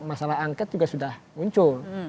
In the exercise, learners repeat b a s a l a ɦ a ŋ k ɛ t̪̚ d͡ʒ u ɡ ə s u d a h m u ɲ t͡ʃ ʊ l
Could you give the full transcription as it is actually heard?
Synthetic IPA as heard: m a s a l a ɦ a ŋ k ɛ t̪̚ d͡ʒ u ɡ a s u d a h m u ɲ t͡ʃ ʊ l